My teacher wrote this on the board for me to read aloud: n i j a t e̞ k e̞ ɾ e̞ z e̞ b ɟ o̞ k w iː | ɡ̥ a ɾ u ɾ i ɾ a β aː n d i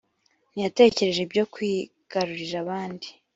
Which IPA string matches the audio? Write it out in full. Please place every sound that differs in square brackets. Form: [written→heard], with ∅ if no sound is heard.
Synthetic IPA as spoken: n i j a t e̞ [k→c] e̞ ɾ e̞ [z→ʒ] e̞ b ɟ o̞ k w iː | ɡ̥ a ɾ u ɾ i ɾ a β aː n d i